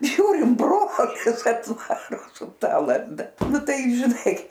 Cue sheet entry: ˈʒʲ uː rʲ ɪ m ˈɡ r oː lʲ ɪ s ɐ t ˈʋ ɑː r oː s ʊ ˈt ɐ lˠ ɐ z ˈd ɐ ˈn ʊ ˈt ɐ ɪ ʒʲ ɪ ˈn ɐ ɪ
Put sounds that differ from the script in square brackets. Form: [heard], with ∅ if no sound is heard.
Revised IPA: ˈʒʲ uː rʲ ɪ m [ˈb] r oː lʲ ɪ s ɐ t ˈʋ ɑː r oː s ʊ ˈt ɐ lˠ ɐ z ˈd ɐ ˈn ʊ ˈt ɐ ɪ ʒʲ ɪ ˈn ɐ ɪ